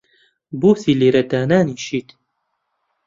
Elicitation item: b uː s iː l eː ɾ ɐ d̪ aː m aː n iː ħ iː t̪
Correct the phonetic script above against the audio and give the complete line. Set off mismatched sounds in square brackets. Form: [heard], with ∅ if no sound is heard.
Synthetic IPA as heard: b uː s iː l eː ɾ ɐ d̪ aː [n] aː n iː [ʃ] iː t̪